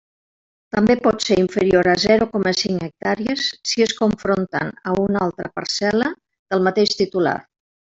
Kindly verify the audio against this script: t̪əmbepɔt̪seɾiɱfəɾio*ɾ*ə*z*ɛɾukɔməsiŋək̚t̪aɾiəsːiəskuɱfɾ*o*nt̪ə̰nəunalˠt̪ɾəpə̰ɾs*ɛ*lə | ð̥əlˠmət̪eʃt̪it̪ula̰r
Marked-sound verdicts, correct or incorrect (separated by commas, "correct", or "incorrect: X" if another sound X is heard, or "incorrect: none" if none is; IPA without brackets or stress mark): correct, correct, correct, correct